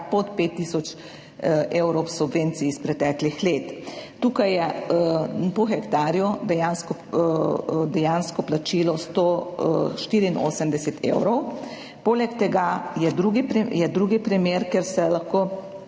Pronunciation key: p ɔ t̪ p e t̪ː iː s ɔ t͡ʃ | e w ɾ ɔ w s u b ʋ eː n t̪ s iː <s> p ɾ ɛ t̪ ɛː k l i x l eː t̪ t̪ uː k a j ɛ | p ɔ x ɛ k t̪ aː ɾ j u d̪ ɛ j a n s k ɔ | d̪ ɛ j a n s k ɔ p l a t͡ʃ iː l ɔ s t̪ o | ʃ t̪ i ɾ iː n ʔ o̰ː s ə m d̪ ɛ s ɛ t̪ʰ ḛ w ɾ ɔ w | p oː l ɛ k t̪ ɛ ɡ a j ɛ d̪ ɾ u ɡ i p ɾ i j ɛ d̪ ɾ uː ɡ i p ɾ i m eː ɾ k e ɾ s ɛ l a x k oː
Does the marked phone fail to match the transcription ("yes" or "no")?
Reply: no